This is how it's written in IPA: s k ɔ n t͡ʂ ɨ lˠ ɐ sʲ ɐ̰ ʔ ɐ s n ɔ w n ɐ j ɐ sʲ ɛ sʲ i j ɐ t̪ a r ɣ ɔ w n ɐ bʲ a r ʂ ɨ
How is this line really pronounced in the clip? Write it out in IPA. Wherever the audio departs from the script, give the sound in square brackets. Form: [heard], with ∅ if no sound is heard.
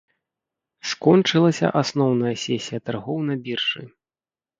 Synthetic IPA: s k ɔ n t͡ʂ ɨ lˠ ɐ sʲ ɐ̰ ʔ [a] s n ɔ w n ɐ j ɐ sʲ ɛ sʲ i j ɐ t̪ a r ɣ ɔ w n ɐ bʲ [i] r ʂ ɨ